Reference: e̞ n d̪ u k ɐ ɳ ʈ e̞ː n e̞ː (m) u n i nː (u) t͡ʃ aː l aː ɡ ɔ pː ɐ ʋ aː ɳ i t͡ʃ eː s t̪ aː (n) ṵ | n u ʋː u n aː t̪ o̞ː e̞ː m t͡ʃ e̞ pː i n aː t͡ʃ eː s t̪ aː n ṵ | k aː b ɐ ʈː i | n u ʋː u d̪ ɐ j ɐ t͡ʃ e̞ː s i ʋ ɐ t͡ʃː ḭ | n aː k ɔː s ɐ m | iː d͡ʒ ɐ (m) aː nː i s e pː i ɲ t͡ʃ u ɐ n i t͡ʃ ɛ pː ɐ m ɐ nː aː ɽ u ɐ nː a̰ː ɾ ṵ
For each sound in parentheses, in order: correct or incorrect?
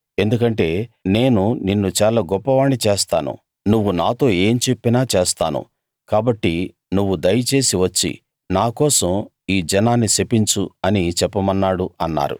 incorrect, correct, correct, incorrect

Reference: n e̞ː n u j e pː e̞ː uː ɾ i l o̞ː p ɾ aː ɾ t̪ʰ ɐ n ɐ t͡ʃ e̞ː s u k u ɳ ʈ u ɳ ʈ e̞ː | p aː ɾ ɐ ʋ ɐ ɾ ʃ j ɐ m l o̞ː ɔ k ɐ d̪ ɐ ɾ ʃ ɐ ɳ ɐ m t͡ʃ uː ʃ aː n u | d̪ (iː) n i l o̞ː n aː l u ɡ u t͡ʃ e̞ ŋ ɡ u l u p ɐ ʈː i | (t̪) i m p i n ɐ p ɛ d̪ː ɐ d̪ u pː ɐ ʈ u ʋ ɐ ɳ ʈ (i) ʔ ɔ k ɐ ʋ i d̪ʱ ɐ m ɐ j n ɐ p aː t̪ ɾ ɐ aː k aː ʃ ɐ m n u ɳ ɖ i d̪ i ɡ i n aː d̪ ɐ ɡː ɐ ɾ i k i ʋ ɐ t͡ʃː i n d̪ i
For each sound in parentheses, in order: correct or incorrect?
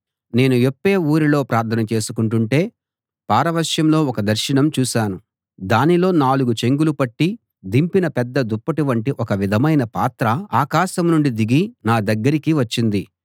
incorrect, incorrect, correct

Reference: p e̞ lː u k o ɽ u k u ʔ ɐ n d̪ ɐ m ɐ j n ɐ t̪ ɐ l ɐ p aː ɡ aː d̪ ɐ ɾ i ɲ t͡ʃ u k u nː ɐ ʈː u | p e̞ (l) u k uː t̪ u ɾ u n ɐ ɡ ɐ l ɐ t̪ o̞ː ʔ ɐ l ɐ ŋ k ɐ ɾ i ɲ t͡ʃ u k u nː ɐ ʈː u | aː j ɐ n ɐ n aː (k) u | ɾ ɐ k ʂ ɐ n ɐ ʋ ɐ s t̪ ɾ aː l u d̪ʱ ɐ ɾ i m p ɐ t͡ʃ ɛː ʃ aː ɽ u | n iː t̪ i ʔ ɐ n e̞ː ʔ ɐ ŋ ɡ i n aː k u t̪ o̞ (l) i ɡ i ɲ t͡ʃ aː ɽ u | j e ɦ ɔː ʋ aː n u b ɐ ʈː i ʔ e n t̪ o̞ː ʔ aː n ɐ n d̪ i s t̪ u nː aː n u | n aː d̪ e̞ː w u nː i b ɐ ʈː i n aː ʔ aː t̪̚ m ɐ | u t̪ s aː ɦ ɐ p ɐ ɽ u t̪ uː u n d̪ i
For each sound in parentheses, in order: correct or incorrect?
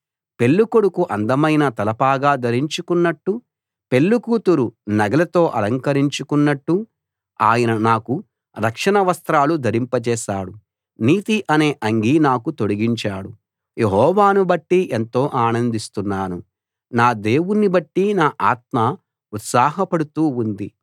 incorrect, correct, incorrect

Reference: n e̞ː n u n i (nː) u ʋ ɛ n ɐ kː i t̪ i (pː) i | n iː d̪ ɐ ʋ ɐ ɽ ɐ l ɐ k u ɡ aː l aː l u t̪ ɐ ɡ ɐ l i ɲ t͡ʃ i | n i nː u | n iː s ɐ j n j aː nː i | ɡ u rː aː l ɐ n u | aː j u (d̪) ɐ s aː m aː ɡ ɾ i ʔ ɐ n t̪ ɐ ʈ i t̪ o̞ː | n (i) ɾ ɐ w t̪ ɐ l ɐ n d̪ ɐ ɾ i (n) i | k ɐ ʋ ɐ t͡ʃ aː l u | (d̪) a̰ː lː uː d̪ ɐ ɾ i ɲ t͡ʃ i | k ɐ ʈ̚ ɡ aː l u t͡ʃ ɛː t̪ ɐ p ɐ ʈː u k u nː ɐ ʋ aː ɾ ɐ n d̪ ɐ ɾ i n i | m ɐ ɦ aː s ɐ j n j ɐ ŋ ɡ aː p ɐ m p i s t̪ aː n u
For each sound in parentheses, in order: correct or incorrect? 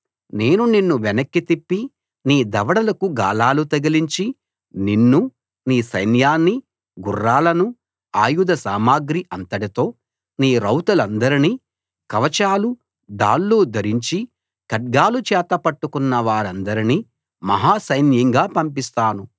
correct, correct, correct, incorrect, correct, correct

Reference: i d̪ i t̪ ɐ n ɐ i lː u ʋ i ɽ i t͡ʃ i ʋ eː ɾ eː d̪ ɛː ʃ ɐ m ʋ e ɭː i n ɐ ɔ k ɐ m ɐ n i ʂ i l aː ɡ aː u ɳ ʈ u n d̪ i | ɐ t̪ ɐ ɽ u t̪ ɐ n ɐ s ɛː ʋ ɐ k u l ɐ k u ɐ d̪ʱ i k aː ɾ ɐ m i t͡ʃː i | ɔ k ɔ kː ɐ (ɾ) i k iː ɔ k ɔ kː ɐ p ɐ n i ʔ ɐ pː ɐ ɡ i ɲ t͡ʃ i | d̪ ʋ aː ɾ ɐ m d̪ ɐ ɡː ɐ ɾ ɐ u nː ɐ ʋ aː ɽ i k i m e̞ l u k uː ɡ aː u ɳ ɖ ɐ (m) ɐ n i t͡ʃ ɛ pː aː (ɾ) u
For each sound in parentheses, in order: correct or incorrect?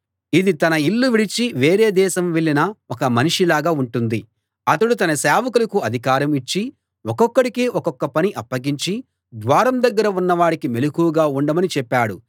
incorrect, correct, incorrect

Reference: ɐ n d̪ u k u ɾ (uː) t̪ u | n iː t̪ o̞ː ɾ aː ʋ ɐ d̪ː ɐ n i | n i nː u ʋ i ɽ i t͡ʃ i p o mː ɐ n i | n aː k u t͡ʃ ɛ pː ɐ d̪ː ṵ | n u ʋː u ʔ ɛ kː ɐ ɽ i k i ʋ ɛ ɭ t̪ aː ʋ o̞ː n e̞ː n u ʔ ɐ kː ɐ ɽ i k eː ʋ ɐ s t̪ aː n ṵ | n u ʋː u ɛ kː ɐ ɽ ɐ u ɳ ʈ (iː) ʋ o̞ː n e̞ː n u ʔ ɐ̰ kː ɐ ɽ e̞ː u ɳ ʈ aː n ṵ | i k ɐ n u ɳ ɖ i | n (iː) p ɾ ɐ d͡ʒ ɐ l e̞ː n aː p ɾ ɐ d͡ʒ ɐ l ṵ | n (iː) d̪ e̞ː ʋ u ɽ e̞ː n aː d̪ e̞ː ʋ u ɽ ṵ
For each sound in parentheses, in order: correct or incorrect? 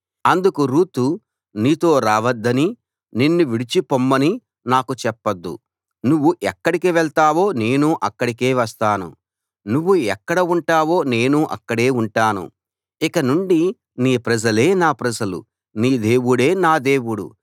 correct, incorrect, correct, correct

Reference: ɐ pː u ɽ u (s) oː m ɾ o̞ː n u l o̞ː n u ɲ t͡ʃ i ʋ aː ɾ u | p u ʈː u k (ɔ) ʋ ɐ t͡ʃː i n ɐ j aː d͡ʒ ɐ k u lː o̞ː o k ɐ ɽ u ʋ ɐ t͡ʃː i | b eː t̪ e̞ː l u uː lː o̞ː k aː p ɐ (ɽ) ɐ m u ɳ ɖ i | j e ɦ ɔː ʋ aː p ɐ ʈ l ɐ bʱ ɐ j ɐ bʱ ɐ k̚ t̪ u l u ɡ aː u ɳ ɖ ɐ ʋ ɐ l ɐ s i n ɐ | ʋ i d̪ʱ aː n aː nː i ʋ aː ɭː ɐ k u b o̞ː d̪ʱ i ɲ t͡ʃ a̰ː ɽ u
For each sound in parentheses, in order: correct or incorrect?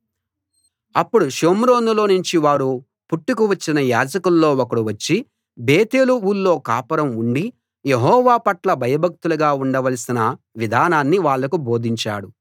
incorrect, incorrect, incorrect

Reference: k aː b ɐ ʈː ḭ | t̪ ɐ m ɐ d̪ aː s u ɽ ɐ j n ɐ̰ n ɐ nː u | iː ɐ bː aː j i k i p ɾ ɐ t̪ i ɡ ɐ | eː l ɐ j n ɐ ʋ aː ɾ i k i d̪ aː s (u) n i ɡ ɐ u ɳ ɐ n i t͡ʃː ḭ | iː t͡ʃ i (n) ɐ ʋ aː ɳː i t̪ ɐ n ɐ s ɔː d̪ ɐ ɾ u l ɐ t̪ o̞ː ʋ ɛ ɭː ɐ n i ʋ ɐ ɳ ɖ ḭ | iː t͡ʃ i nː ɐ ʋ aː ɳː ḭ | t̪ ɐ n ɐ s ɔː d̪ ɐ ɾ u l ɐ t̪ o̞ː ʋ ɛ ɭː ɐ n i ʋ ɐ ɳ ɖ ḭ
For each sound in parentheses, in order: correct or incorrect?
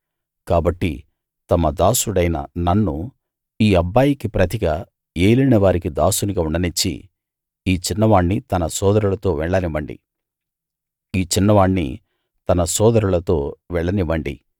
correct, incorrect

